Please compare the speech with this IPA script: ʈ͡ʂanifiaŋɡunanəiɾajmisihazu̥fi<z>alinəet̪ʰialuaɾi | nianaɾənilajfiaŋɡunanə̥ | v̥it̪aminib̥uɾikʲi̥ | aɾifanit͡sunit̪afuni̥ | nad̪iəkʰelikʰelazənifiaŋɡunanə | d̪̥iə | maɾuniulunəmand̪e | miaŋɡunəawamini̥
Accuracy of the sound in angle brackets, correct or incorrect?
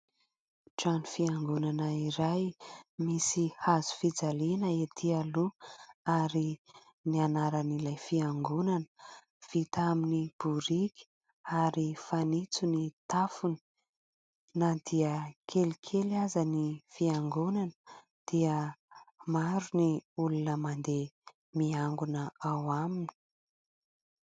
incorrect